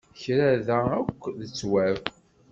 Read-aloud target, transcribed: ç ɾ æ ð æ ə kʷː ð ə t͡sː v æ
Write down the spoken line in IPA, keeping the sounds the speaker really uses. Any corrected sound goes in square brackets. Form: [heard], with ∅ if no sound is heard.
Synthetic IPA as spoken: ç ɾ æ ð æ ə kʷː ð ə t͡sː [w] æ